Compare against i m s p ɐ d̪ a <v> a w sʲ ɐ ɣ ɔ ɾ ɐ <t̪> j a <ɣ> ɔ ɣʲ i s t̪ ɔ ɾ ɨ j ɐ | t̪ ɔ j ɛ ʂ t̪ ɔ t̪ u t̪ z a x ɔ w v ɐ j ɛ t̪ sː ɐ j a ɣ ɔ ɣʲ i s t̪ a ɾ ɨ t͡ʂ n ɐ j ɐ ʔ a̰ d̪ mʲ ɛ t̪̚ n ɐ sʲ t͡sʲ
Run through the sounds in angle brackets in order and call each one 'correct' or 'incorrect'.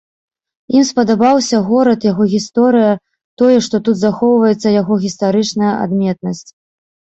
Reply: incorrect, correct, correct

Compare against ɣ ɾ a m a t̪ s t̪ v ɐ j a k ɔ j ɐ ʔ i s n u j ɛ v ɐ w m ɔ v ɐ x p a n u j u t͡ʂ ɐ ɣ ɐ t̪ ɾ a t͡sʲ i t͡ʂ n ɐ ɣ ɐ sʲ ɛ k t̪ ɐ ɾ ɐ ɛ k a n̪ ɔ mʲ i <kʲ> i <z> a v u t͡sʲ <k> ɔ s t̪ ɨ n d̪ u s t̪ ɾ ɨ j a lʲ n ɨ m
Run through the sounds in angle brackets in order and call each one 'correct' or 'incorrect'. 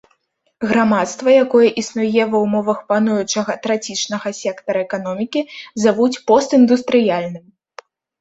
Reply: correct, correct, incorrect

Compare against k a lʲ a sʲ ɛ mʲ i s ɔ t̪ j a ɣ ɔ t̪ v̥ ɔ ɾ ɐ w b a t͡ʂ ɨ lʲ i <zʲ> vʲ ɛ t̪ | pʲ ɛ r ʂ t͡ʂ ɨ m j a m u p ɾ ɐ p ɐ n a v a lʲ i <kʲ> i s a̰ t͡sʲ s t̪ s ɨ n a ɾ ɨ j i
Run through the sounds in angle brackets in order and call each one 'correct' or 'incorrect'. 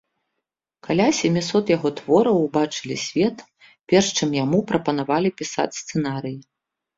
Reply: incorrect, incorrect

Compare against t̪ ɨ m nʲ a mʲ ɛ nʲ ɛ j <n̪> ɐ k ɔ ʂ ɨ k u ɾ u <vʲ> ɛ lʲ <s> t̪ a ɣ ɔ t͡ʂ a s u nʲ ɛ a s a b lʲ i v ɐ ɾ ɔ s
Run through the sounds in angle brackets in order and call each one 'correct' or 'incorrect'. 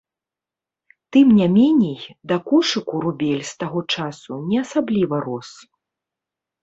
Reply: incorrect, incorrect, correct

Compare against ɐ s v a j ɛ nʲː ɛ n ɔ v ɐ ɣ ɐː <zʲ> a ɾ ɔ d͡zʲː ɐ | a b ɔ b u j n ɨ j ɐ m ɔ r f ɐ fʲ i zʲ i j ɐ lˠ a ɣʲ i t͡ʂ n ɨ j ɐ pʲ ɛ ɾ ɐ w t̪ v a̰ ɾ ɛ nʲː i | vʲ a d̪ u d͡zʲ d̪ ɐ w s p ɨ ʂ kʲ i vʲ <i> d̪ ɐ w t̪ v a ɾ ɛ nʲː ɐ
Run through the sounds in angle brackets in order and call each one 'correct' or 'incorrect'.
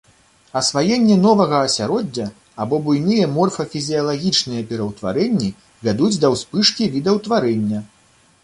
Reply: incorrect, correct

